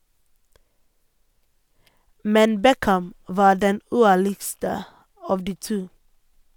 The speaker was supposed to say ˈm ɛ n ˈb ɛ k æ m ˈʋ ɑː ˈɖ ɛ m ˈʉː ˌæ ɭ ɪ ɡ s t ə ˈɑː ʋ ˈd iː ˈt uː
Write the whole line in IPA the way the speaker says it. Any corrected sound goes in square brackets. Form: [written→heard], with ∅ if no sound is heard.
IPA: ˈm ɛ n ˈb ɛ k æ m ˈʋ ɑː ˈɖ ɛ [m→n] ˈʉː ˌæ ɭ ɪ ɡ s t ə ˈɑː ʋ ˈd iː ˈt uː